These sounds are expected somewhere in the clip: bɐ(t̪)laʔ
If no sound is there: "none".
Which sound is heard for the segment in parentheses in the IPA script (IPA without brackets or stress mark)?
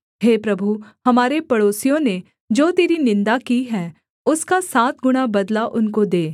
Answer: d̪